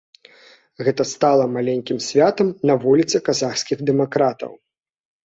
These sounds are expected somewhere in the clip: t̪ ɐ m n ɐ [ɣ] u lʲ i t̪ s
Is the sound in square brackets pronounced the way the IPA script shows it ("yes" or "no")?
no